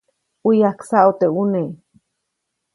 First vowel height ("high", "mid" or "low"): high